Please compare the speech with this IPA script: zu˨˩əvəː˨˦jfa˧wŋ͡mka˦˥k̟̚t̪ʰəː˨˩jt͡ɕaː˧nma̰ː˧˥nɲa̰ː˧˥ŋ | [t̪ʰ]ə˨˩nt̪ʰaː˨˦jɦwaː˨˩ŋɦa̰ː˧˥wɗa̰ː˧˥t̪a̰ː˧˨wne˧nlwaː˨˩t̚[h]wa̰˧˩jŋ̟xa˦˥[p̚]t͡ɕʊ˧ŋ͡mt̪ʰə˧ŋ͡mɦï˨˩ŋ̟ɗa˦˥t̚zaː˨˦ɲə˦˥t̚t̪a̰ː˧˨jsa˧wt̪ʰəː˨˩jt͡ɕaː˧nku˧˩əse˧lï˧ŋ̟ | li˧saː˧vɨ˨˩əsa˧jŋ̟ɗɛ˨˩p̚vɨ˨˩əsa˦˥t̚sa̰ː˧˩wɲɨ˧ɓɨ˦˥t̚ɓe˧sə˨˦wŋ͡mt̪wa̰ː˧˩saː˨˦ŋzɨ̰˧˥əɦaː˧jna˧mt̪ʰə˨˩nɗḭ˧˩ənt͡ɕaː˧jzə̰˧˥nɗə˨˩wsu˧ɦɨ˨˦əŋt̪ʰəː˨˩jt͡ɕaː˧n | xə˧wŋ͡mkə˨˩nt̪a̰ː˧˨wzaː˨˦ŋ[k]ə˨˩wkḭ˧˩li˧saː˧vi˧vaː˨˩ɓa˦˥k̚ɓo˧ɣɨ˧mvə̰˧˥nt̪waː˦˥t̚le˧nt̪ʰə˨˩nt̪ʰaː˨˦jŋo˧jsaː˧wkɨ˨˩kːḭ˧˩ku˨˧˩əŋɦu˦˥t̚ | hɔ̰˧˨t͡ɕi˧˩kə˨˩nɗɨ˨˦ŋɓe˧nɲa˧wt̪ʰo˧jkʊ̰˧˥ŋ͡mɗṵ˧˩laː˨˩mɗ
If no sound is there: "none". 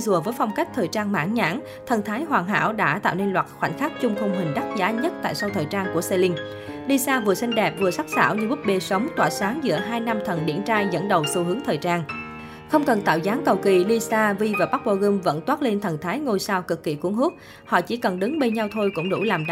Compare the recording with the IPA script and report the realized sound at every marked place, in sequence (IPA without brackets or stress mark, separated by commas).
t̪ʰ, x, k̚, k